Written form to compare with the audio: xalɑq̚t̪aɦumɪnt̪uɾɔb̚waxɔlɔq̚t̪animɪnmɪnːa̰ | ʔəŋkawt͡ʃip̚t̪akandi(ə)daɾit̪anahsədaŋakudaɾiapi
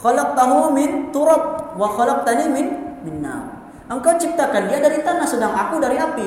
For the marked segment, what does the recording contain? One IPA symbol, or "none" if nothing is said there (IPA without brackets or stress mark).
a